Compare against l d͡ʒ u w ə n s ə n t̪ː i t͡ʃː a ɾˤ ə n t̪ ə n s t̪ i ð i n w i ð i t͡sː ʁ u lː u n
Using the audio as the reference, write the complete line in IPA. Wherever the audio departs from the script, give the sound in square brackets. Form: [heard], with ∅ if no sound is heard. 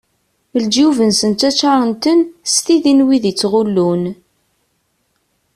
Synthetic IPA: l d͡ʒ u [v] ə n s ə n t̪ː [æ] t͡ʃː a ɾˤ ə n t̪ ə n s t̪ i ð i n w i ð i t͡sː ʁ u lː u n

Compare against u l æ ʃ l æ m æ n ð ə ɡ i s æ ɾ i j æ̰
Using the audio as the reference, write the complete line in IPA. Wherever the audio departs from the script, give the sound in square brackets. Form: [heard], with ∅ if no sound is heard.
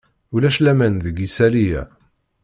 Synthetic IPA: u l æ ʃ l æ m æ n ð ə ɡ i s æ [l] i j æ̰

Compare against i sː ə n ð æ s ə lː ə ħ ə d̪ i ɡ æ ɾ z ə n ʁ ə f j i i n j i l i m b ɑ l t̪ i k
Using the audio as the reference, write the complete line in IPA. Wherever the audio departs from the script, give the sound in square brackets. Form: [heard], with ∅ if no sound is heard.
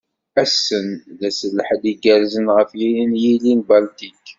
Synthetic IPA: [æ] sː ə n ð æ s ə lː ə ħ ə d̪ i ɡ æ ɾ z ə n ʁ ə f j i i n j i l i [n] b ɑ l t̪ i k

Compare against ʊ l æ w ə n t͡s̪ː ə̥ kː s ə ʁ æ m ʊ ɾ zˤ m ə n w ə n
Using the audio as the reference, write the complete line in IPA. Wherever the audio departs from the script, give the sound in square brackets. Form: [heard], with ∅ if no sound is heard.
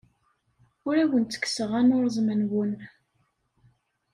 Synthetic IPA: ʊ [ɾ] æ w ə n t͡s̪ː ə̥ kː s ə ʁ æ [n] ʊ ɾ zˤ m ə n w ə n

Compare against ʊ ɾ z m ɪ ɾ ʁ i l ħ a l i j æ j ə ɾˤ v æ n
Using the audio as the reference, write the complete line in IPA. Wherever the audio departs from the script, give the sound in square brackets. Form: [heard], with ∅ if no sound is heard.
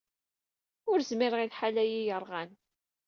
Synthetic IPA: ʊ ɾ z m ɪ ɾ ʁ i l ħ a l [æ] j [i] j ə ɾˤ [ʁ] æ n

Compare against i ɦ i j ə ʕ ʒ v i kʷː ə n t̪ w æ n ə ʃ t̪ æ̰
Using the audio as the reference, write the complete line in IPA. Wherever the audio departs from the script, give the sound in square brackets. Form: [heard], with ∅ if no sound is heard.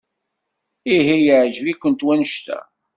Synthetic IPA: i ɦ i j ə ʕ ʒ v i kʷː ə n t̪ w æ n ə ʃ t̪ æ̰

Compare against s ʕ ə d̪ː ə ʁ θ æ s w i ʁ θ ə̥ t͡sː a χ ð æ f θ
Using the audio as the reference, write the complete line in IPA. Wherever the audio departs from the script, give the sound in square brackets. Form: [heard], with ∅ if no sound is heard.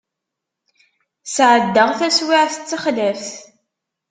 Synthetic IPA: s ʕ ə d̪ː ə ʁ θ æ s w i [ʕ] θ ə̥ t͡sː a χ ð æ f θ

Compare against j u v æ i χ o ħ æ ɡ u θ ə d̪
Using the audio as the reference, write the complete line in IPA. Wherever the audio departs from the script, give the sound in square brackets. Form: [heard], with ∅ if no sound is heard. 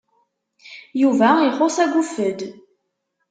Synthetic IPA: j u v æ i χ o [s] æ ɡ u [f] ə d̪

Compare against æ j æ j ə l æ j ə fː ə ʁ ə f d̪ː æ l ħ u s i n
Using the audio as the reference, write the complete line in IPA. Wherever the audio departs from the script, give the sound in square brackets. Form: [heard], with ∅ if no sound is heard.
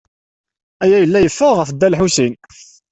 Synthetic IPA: æ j æ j ə [lː] æ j ə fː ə ʁ ə f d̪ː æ l ħ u s i n

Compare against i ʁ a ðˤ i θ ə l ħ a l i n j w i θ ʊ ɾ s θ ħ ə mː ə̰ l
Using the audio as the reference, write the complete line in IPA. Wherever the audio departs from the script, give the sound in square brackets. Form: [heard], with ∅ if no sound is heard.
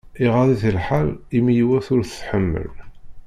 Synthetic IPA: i ʁ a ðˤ i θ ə l ħ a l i [m] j w [æ] θ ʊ ɾ [θ] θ ħ ə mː ə̰ l

